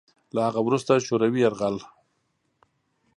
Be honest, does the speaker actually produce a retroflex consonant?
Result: no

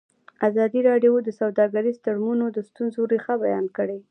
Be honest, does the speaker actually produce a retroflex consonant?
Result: yes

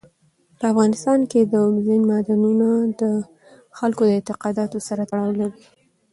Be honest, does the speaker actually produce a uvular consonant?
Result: yes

